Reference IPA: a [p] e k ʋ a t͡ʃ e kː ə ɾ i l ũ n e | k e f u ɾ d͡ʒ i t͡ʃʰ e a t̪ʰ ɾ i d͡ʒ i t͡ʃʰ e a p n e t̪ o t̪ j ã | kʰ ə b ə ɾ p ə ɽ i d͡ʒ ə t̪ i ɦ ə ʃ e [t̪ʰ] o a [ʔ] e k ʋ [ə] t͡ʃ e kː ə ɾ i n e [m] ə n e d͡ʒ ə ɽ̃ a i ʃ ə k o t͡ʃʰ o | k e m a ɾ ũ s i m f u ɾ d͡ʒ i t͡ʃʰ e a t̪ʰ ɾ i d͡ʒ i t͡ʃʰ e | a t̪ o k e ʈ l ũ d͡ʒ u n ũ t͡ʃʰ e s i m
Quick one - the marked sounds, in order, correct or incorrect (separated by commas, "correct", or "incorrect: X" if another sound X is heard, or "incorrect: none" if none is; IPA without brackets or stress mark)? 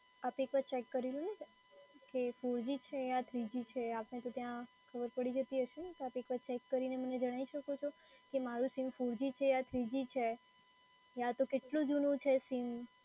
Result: correct, incorrect: t̪, incorrect: p, incorrect: a, correct